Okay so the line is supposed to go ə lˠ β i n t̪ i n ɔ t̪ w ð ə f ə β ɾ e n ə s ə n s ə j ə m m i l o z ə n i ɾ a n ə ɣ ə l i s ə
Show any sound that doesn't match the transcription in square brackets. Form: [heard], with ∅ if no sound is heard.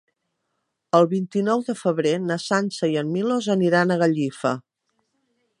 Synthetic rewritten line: ə lˠ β i n t̪ i n ɔ [∅] w ð ə f ə β ɾ e n ə s [a] n s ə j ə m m i l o z ə n i ɾ a n ə ɣ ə [ʎ] i [f] ə